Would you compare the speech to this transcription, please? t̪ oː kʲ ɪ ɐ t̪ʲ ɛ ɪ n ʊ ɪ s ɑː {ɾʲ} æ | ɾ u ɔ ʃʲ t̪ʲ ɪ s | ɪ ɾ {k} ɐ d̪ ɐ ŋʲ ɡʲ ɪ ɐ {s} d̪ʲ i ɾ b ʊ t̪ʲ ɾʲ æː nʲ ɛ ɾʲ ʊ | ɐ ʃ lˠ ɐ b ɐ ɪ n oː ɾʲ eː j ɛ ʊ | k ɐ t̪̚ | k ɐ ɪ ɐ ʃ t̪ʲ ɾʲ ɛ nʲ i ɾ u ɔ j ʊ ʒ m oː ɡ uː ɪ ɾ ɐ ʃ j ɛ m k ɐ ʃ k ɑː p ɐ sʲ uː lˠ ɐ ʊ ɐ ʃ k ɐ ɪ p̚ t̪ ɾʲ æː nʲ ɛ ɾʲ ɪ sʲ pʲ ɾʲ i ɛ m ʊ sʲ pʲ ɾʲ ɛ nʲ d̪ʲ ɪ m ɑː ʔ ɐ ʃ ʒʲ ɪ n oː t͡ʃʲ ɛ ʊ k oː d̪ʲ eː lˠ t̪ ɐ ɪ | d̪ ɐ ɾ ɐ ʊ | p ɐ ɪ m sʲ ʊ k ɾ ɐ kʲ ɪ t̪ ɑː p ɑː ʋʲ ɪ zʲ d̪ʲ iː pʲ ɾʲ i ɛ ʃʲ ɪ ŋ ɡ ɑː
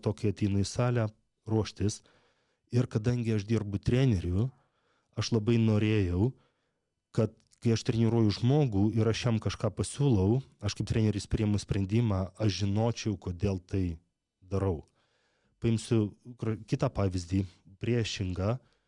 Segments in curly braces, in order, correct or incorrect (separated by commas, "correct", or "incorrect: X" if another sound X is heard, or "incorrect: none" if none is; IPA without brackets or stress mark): incorrect: lʲ, correct, incorrect: ʃ